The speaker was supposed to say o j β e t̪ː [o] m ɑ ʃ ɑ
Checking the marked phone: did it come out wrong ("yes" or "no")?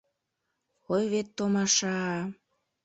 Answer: no